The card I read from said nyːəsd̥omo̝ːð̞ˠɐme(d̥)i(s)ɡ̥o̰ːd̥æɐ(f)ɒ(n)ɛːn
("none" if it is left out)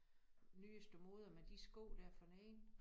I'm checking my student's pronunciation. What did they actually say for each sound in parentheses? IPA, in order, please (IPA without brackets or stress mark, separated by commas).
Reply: d̥, s, f, n